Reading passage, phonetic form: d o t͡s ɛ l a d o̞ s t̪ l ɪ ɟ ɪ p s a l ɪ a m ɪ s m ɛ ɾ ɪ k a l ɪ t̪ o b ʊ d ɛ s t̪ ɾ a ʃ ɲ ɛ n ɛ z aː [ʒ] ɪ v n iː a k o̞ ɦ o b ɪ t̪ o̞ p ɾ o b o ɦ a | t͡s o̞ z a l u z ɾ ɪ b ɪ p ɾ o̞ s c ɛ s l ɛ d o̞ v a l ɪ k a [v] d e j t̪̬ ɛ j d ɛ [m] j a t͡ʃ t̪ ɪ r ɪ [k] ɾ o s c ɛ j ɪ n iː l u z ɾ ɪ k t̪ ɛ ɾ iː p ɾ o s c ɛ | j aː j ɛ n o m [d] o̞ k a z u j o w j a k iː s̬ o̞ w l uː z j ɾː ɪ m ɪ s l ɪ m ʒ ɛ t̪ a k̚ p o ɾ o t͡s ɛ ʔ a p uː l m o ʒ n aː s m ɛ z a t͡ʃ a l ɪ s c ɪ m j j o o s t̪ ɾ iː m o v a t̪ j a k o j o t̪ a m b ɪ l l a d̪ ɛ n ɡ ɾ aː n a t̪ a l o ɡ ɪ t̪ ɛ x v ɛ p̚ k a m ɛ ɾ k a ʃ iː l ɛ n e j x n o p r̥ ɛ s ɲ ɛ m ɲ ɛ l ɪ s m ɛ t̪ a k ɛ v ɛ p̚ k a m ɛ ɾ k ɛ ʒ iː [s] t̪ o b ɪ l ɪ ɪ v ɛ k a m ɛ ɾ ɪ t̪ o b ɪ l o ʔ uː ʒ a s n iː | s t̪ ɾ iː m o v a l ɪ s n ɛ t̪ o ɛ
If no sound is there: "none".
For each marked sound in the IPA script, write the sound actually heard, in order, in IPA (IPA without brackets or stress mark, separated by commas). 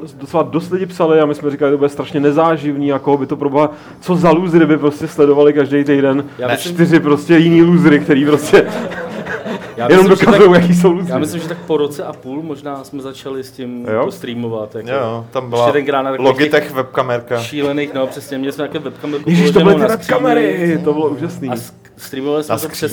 ʒ, ʒ, n, p, d, ʃ